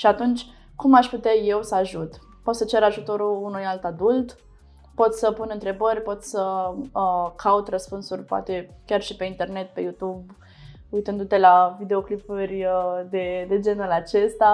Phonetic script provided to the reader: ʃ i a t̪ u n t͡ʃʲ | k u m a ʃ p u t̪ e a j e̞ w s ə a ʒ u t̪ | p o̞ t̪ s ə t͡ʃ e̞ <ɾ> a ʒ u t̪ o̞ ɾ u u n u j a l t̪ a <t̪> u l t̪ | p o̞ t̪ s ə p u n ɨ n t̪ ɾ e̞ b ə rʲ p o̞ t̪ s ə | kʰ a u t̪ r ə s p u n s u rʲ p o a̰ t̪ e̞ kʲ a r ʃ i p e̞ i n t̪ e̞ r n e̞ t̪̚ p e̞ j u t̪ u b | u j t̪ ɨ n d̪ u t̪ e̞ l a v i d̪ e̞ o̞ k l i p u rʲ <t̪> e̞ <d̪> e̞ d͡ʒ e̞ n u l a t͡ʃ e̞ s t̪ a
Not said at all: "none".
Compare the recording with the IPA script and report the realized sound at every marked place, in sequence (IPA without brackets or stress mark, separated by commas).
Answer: ɾ, d̪, d̪, d̪